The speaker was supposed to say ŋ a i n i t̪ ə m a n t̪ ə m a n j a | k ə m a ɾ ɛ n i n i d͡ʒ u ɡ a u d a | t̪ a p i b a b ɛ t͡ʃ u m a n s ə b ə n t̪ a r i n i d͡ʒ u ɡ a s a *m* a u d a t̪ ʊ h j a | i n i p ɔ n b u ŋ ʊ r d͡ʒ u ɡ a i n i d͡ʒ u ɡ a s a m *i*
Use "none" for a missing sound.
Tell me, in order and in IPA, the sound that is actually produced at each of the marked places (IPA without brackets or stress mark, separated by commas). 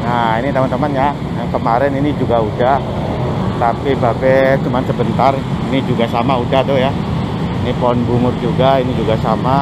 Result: m, a